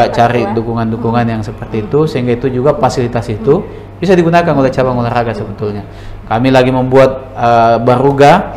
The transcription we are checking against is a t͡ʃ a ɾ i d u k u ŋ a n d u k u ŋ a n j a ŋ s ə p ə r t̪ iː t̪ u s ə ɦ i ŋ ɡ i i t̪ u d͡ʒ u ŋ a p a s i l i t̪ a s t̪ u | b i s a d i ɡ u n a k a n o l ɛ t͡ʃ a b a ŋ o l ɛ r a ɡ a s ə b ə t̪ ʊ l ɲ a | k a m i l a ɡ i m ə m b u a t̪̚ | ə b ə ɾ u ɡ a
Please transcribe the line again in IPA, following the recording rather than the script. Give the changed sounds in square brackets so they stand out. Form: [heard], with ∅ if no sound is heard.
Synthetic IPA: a t͡ʃ a ɾ i d u k u ŋ a n d u k u ŋ a n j a ŋ s ə p ə r t̪ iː t̪ u s ə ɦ i ŋ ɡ [a] i t̪ u d͡ʒ u [ɡ] a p a s i l i t̪ a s t̪ u | b i s a d i ɡ u n a k a n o l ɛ t͡ʃ a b a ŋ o l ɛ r a ɡ a s ə b ə t̪ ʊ l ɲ a | k a m i l a ɡ i m ə m b u a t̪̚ | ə b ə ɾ u ɡ a

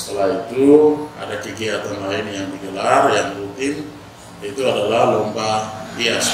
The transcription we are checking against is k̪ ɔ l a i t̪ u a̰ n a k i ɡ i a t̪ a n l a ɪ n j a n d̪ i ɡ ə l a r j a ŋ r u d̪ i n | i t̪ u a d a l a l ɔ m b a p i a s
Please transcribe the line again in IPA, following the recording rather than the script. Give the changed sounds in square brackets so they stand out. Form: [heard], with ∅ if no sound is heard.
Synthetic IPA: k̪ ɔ l a i t̪ u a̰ [d] a k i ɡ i a t̪ a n l a [i] n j a [ŋ] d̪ i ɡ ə l a r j a ŋ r u [t̪] i n | i t̪ u a d a l a l ɔ m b a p i a s

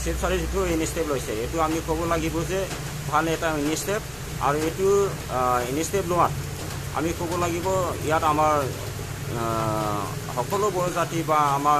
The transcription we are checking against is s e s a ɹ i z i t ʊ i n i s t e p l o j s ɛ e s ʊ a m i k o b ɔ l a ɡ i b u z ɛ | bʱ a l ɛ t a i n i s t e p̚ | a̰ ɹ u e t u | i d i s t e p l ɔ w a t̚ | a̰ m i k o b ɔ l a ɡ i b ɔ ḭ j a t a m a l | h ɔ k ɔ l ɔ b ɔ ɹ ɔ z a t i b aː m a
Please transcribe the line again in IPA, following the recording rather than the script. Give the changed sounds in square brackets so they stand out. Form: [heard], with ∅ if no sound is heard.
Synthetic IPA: s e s a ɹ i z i t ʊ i n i s t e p l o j s ɛ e [t] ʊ a m i k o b ɔ l a ɡ i b [ɔ] z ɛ | bʱ a l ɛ t a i n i s t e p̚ | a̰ ɹ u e t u | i [n] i s t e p l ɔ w a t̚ | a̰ m i k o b ɔ l a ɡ i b ɔ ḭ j a t a m a [ɹ] | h ɔ k ɔ l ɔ b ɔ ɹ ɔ z a t i b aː m a

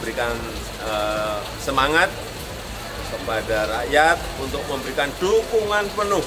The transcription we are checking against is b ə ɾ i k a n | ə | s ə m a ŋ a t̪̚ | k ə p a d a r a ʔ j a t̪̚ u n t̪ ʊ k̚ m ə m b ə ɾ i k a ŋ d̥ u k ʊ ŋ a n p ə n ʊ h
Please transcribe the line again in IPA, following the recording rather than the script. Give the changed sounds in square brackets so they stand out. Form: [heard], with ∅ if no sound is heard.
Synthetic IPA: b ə ɾ i k a n | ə | s ə m a ŋ a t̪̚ | k ə p a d a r a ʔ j a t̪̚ u n t̪ ʊ k̚ m ə m b ə ɾ i k a [n] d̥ u k [u] ŋ a n p ə n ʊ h

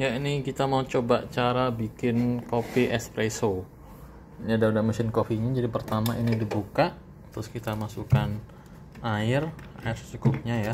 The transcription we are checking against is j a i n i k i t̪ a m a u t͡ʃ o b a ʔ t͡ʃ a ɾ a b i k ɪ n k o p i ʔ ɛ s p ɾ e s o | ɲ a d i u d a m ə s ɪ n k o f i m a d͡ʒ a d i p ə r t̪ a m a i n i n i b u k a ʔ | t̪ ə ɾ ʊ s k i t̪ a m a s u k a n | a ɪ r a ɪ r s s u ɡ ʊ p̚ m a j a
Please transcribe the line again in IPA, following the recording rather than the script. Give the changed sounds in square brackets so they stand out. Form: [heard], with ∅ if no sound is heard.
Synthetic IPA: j a i n i k i t̪ a m a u t͡ʃ o b a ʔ t͡ʃ a ɾ a b i k ɪ n k o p i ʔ ɛ s p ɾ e s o | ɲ a d [a] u d a m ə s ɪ n k o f i [ɲ] a d͡ʒ a d i p ə r t̪ a m a i n i [d] i b u k a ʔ | t̪ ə ɾ ʊ s k i t̪ a m a s u k a n | a ɪ r a ɪ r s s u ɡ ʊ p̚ [ɲ] a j a

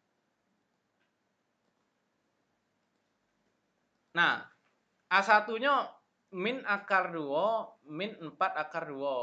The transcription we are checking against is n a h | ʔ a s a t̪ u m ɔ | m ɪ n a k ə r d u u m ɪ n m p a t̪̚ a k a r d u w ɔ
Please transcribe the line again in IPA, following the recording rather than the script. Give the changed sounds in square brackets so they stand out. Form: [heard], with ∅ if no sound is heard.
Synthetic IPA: n a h | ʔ a s a t̪ u [ɲ] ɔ | m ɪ n a k [a] r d u [ɔ] m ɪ n m p a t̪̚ a k a r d u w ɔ

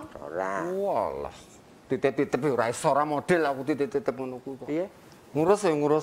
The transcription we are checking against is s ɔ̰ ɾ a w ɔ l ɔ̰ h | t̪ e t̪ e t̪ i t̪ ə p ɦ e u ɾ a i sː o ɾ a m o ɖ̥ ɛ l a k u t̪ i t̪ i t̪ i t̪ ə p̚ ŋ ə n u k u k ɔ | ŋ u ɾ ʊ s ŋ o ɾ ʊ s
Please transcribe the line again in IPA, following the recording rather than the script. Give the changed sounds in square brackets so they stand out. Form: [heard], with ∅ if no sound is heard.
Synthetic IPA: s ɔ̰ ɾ a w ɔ l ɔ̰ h | t̪ [i] t̪ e t̪ i t̪ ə p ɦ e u ɾ a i [s] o ɾ a m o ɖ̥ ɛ l a k u t̪ i t̪ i t̪ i t̪ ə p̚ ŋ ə n u k u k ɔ | ŋ u ɾ ʊ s ŋ [u] ɾ ʊ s

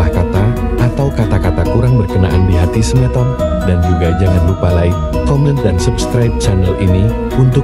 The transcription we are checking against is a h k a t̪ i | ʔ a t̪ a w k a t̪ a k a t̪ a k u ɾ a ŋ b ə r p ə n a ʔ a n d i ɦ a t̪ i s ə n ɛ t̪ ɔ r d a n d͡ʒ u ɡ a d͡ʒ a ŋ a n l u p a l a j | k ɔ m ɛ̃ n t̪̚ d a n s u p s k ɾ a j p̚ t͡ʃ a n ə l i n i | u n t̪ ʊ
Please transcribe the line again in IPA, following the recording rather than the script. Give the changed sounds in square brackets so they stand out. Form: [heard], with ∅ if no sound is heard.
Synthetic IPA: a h k a t̪ [a] | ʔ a t̪ a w k a t̪ a k a t̪ a k u ɾ a ŋ b ə r [k] ə n a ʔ a n d i ɦ a t̪ i s ə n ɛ t̪ ɔ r d a n d͡ʒ u ɡ a d͡ʒ a ŋ a n l u p a l a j | k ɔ m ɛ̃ n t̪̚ d a n s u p s k ɾ a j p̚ t͡ʃ a n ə l i n i | u n t̪ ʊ

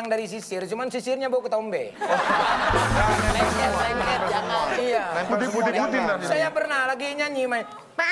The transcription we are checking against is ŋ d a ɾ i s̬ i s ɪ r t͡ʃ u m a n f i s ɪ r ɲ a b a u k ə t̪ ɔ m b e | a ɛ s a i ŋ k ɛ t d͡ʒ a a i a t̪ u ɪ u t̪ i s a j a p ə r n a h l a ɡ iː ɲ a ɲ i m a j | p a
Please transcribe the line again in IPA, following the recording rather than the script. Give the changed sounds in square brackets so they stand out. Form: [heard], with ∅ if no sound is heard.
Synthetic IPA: ŋ d a ɾ i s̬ i s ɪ r t͡ʃ u m a n [s] i s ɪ r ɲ a b a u k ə t̪ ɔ m b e | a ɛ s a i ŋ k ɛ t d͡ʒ a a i a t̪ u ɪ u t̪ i s a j a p ə r n a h l a ɡ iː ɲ a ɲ i m a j | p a

